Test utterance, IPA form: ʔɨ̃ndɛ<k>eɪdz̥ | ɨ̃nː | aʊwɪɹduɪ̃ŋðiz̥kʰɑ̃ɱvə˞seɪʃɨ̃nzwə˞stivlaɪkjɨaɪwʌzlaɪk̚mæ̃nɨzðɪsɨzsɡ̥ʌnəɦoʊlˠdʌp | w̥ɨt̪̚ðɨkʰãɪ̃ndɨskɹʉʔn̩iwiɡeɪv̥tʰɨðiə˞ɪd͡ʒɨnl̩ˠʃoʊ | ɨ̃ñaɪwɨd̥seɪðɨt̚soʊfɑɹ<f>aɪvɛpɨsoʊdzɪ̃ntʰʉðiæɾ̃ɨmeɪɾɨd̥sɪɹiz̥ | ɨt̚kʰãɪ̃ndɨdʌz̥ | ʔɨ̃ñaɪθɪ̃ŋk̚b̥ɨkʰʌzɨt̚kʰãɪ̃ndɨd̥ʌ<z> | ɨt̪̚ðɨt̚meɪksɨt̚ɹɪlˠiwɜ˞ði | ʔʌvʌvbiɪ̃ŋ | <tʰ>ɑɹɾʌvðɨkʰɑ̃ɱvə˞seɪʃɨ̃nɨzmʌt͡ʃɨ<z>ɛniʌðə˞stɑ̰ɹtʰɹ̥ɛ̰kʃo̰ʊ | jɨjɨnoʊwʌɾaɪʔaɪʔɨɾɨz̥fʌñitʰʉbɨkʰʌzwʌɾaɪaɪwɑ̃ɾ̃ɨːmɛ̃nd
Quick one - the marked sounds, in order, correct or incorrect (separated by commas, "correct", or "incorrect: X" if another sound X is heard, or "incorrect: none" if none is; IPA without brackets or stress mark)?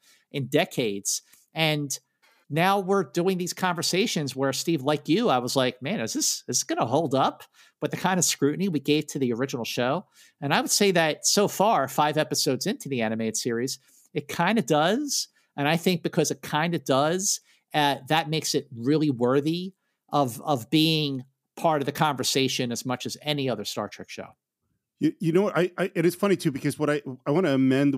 incorrect: kʰ, correct, correct, incorrect: pʰ, correct